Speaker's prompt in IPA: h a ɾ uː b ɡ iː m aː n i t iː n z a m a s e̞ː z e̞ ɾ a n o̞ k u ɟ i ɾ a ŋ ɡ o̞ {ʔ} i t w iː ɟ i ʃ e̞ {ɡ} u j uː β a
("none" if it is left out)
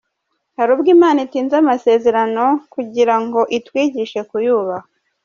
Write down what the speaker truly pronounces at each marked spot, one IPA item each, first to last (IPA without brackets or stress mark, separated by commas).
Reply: ʔ, k